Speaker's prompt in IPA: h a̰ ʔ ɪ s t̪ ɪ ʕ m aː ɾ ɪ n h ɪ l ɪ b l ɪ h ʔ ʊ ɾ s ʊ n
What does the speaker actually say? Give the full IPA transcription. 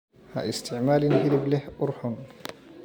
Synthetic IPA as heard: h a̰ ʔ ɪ s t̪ ɪ ʕ m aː l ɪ n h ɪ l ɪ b l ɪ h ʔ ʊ ɾ ħ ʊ n